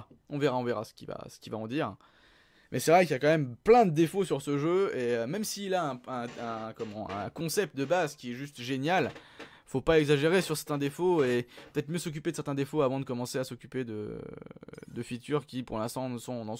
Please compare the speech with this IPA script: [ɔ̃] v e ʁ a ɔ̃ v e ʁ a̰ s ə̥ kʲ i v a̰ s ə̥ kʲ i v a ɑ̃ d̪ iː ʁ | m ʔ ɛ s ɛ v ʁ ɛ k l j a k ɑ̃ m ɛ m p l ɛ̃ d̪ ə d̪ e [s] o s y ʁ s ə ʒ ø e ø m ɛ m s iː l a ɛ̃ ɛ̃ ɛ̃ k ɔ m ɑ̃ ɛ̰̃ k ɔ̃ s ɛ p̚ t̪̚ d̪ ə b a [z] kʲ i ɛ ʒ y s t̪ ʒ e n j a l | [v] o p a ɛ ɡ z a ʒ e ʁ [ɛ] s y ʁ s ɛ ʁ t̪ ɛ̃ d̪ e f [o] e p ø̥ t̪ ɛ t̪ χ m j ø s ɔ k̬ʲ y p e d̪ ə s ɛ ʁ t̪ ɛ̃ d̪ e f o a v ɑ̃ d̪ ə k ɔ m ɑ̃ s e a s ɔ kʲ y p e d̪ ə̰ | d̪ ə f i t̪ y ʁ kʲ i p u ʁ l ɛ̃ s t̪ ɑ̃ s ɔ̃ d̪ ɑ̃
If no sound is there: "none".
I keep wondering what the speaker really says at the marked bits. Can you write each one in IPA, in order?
ɔ̃, f, z, f, e, o

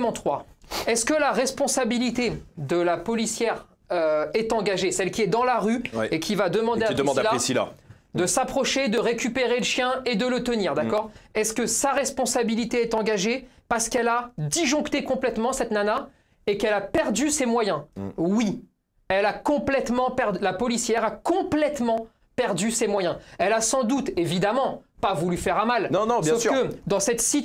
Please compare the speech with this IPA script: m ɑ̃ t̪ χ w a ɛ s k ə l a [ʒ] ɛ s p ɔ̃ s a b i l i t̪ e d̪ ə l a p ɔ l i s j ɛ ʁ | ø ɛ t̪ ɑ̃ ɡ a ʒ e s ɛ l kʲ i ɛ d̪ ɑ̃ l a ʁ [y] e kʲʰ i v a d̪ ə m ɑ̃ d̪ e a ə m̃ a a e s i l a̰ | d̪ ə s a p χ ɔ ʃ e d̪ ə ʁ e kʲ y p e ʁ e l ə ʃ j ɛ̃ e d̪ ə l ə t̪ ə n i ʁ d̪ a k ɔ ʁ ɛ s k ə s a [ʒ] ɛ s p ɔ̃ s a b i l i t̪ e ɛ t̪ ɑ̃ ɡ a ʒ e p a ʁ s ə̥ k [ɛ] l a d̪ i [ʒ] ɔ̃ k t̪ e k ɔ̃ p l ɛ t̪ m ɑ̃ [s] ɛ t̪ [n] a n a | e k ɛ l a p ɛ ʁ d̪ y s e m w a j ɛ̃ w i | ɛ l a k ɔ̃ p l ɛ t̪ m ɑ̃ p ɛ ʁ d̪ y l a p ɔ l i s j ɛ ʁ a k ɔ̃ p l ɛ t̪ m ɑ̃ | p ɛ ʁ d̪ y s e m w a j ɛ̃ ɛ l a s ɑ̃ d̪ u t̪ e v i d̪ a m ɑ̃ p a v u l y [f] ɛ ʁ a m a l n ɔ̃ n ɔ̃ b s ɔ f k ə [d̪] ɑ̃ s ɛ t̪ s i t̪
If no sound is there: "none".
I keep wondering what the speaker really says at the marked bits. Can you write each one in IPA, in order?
ʁ, y, ʁ, ɛ, ʒ, s, n, f, d̪

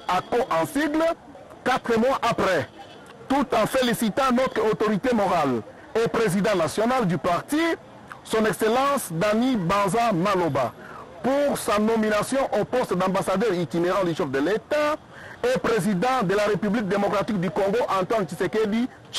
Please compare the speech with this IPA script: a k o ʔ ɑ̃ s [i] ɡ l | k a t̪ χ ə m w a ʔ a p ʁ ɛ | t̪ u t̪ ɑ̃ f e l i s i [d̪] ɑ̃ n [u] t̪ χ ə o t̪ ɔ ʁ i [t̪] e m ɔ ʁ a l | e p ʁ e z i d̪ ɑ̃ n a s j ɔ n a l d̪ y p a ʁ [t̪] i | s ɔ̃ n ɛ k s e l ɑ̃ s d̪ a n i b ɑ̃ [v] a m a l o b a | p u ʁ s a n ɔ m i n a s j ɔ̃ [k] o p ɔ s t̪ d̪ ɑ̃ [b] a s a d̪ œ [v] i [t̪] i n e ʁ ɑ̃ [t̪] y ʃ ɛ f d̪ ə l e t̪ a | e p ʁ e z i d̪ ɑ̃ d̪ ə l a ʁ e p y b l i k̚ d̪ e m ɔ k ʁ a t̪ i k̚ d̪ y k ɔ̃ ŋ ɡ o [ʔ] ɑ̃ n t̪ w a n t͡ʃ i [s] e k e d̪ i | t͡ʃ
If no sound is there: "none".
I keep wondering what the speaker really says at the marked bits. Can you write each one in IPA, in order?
i, t̪, ɔ, t̪, t̪, z, ʔ, b, ʁ, t̪, d̪, ʔ, s

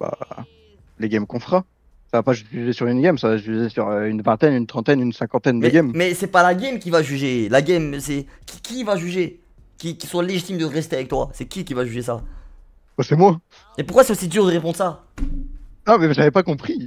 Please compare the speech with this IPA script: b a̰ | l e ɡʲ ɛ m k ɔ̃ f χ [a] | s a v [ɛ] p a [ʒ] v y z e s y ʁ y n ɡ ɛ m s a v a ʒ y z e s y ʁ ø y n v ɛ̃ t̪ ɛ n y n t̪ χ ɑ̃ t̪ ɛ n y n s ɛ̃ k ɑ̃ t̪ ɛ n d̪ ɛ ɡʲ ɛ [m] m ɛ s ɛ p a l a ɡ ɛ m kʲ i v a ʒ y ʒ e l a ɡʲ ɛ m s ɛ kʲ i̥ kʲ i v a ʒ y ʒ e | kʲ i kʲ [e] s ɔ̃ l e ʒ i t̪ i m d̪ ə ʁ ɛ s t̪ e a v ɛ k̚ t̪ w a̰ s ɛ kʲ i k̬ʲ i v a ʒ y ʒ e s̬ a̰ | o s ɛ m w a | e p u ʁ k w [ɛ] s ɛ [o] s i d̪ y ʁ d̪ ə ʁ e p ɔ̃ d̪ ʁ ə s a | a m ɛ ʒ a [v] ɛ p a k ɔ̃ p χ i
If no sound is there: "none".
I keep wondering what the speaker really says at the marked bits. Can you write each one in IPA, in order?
a, a, ʒ, m, i, a, o, v

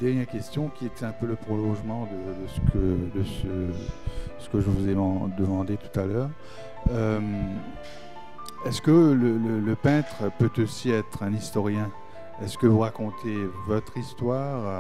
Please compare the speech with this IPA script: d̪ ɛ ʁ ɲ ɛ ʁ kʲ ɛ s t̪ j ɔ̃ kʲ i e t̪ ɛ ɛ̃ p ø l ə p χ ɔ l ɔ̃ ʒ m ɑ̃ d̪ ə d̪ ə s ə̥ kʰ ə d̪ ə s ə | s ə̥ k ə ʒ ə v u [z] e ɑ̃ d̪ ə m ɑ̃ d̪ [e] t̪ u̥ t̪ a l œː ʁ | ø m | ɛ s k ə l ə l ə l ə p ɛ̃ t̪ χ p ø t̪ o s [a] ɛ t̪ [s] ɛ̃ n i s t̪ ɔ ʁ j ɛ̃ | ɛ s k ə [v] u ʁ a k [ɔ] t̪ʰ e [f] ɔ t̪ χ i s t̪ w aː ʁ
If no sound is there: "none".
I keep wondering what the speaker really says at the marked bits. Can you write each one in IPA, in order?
z, e, i, χ, v, ɔ̃, v

